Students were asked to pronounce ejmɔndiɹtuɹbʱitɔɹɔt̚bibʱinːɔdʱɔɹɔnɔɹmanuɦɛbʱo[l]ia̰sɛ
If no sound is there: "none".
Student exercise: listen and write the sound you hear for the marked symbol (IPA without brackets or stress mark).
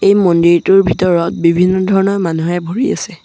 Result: ɹ